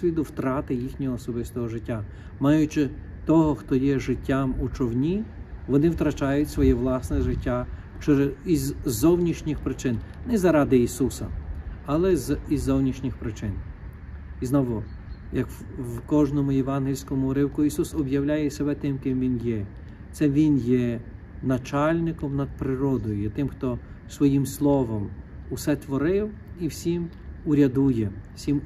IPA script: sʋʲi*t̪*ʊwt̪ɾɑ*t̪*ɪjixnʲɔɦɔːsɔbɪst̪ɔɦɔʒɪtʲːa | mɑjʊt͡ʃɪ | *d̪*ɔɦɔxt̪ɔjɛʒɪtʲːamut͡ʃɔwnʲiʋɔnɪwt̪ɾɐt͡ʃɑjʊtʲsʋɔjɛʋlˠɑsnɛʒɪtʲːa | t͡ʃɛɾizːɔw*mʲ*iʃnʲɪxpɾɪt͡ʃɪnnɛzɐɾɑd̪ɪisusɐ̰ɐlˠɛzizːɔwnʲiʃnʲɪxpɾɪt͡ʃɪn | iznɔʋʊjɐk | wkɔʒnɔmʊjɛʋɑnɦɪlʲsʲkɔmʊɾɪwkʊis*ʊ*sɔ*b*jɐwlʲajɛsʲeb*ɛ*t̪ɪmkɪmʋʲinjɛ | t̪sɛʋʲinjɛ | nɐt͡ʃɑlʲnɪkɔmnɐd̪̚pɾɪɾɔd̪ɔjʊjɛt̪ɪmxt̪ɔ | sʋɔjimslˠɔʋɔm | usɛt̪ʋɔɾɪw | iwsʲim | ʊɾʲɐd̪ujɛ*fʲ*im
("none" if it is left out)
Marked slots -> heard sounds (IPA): d̪, t̪, t̪, nʲ, u, b, ɛ, sʲ

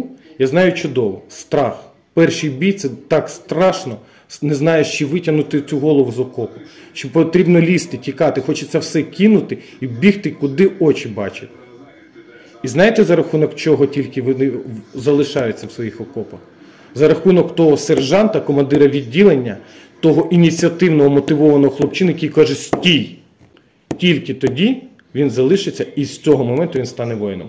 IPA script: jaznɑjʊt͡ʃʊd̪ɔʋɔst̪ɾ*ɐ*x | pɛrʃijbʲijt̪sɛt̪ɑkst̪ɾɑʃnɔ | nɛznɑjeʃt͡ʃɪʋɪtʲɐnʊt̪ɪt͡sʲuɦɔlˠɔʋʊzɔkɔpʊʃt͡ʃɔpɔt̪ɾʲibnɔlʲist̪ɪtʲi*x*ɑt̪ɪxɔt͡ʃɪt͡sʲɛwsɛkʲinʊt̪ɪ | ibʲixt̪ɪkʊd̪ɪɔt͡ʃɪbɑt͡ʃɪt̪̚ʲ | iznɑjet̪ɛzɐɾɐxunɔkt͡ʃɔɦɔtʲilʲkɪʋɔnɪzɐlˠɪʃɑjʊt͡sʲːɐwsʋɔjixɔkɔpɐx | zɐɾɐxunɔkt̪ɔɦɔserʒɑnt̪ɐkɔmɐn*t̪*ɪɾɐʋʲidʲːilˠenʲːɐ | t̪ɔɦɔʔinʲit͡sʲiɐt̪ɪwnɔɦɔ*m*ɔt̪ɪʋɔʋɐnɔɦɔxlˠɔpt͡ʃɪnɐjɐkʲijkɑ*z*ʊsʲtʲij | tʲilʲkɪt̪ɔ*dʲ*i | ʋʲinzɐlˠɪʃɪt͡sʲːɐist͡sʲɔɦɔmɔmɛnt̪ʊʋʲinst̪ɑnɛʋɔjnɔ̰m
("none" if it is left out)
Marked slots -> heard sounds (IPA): ɑ, k, d̪, m, ʒ, dʲ

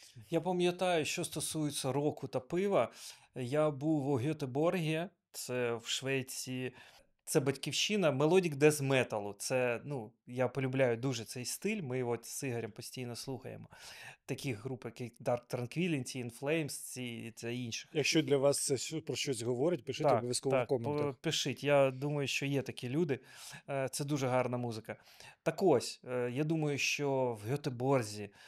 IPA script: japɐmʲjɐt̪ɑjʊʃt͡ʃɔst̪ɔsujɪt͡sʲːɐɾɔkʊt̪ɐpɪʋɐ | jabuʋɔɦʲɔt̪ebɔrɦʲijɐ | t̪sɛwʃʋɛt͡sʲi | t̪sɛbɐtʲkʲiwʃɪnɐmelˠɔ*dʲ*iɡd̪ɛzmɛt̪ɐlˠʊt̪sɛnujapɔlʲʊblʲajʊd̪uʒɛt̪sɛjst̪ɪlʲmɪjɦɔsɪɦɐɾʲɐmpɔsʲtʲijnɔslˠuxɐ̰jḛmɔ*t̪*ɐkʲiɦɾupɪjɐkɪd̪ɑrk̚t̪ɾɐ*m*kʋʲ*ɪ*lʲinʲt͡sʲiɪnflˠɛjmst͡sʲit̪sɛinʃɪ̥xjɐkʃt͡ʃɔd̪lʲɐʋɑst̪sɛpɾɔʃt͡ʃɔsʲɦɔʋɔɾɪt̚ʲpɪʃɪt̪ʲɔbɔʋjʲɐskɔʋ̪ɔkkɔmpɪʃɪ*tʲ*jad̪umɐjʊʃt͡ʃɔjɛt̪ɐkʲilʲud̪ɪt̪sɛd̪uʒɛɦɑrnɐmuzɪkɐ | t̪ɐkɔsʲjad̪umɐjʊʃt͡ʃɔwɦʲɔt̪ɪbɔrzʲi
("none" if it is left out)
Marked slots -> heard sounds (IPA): dʲ, t̪, n, i, tʲ

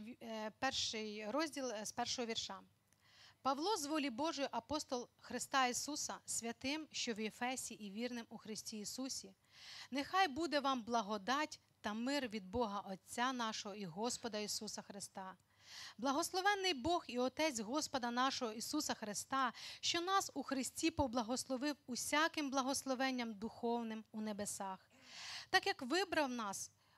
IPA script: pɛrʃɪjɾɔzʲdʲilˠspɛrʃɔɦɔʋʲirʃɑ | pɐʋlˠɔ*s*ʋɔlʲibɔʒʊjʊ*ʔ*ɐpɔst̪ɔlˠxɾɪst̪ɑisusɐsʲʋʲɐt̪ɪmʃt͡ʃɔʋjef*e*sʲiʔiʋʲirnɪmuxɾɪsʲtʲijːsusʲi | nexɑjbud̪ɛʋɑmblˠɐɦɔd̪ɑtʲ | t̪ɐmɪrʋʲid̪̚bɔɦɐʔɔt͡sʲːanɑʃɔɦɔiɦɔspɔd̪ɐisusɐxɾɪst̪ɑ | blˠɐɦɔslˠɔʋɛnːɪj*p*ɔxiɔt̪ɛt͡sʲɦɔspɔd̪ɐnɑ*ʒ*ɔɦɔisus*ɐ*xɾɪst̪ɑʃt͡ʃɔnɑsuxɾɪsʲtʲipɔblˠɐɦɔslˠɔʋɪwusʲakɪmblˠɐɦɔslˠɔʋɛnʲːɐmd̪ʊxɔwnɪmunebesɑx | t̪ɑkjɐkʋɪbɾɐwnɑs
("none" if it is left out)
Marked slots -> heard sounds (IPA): z, ʔ, ɛ, b, ʃ, ɐ

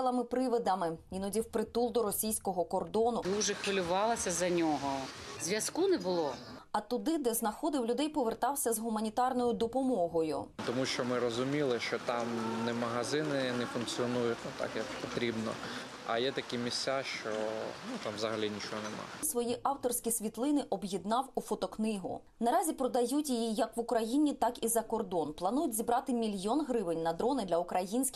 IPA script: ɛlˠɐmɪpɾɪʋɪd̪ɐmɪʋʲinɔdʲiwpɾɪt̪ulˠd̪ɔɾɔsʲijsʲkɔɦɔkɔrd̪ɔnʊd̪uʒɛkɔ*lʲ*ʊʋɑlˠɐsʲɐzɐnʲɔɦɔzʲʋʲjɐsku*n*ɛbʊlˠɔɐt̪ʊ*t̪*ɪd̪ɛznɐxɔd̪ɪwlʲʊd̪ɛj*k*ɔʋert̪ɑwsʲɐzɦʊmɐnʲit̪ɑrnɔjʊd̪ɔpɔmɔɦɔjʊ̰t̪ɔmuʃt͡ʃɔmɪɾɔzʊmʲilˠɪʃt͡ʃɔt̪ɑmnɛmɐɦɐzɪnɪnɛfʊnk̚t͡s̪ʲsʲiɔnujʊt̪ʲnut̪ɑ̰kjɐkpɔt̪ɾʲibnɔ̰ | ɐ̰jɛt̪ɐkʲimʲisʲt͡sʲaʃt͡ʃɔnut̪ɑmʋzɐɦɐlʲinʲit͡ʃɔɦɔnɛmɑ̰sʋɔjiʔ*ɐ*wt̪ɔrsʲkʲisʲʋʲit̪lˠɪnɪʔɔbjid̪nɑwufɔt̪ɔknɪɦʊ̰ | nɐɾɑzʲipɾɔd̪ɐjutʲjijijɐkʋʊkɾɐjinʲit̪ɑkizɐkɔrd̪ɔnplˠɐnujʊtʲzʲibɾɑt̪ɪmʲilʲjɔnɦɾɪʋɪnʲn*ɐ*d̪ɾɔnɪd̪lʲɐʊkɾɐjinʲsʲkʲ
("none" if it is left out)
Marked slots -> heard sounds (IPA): lʲ, n, d̪, p, ɑ, ɐ

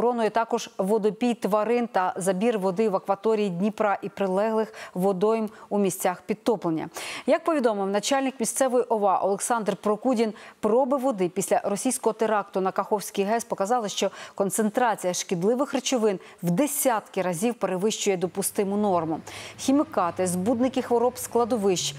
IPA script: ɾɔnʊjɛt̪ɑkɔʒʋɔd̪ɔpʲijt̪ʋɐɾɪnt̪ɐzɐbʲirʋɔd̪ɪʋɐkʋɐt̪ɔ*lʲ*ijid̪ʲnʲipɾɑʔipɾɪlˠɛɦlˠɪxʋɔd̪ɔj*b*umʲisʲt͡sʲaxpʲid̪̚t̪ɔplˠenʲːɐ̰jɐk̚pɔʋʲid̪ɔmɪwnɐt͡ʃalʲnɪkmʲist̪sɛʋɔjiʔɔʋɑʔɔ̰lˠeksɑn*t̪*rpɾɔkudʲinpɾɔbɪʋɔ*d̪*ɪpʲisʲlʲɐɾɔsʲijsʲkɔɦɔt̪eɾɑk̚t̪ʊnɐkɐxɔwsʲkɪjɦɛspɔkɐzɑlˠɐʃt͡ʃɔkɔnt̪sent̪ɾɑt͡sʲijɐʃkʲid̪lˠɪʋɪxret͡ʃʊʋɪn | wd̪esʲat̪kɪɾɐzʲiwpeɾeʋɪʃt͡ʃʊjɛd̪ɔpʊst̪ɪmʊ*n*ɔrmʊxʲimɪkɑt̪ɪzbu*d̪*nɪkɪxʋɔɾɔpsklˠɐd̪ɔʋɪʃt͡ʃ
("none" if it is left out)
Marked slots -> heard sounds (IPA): ɾʲ, m, d̪, d̪, n, d̪

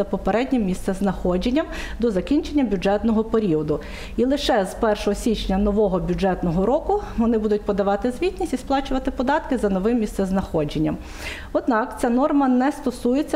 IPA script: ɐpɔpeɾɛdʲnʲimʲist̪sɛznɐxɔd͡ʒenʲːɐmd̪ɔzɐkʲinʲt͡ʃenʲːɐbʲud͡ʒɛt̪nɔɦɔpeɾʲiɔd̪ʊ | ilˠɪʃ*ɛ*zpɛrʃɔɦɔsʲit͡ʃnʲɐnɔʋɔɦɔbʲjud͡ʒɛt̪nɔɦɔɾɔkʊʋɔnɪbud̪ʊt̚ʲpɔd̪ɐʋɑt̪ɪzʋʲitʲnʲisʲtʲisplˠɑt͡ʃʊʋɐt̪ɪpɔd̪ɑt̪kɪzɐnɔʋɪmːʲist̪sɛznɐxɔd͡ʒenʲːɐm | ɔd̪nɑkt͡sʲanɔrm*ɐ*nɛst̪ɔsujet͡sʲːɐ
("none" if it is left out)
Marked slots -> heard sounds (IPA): ɛ, ɐ

